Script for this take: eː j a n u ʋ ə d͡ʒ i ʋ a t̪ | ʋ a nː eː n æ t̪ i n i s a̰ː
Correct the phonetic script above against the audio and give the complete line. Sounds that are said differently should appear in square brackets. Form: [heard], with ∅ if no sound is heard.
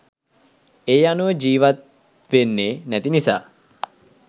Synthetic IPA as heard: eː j a n u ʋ ə d͡ʒ [iː] ʋ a t̪ | ʋ [e] nː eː n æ t̪ i n i s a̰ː